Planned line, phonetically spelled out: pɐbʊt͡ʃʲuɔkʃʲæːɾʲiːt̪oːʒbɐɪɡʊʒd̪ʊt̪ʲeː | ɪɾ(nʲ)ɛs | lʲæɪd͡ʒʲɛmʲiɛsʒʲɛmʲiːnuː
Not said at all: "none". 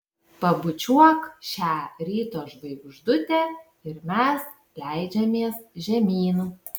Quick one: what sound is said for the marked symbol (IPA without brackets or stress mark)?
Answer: mʲ